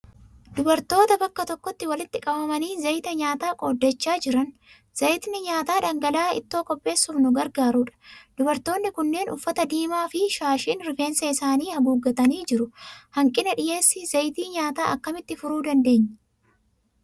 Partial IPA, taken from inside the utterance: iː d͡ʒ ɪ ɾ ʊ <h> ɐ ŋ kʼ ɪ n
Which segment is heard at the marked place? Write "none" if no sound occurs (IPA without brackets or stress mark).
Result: h